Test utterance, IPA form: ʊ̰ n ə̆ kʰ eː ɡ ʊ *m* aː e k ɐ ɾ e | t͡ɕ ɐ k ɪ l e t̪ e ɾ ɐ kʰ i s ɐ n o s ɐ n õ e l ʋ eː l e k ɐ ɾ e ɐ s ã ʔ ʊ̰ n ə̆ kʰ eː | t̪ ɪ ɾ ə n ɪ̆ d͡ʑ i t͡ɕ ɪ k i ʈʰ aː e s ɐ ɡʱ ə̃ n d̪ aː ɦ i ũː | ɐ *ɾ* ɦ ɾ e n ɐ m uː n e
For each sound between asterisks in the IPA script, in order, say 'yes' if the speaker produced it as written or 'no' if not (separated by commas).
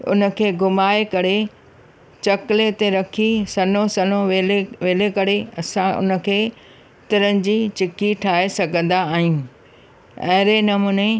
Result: yes, no